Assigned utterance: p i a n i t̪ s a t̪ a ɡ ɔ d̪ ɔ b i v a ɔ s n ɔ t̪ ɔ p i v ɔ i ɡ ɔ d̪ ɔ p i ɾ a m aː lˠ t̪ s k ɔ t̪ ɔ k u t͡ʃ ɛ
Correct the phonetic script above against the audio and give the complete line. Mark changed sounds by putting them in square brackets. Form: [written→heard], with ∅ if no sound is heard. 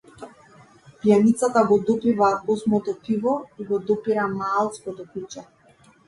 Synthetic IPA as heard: p [i→j] a n i t̪ s a t̪ a ɡ ɔ d̪ ɔ [b→p] i v a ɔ s [n→m] ɔ t̪ ɔ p i v ɔ i ɡ ɔ d̪ ɔ p i ɾ a m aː lˠ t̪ s k ɔ t̪ ɔ k u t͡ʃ ɛ